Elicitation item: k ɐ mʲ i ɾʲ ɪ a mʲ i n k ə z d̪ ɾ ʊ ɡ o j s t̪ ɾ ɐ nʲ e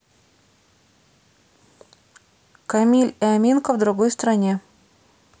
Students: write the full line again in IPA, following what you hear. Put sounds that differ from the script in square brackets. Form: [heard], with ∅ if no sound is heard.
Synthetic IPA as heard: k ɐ mʲ i [lʲ] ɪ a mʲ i n k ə [v] d̪ ɾ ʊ ɡ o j s t̪ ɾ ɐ nʲ e